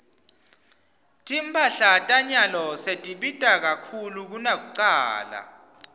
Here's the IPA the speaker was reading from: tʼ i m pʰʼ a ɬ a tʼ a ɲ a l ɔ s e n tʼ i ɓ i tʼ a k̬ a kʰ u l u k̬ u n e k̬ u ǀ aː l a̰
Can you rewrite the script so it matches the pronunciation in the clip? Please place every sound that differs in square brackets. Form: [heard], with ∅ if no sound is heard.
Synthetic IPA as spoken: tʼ i m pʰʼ a ɬ a tʼ a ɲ a l ɔ s e [∅] tʼ i ɓ i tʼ a k̬ a kʰ u l u k̬ u n [a] k̬ u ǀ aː l a̰